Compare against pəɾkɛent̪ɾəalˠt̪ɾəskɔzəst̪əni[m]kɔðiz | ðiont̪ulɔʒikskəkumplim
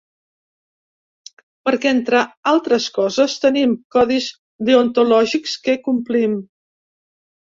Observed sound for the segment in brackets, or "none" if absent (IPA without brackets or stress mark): m